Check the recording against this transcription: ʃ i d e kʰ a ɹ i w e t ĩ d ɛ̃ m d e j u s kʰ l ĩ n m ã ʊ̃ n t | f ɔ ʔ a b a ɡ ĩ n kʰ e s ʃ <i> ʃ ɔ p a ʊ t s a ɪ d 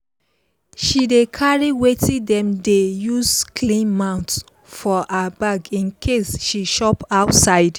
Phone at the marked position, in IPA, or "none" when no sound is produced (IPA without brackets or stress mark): i